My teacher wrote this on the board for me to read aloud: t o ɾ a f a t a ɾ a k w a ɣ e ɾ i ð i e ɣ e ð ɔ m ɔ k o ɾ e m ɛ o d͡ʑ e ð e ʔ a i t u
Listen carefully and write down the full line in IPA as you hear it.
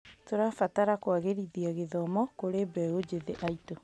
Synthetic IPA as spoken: t o ɾ a f a t a ɾ a k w a ɣ e ɾ i ð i a ɣ e ð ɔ m ɔ k o ɾ e b ɛ o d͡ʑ e ð e ʔ a i t o